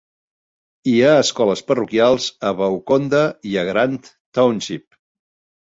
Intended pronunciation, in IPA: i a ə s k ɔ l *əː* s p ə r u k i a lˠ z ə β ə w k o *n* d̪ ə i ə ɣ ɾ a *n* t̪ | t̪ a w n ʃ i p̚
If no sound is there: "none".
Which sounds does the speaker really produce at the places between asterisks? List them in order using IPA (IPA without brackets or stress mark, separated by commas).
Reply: ə, n, n